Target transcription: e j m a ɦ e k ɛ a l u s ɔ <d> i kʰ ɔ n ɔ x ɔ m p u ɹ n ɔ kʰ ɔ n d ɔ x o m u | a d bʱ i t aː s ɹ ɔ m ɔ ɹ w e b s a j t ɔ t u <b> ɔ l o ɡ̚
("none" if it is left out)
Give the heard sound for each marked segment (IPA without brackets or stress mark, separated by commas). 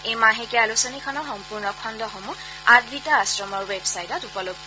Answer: n, p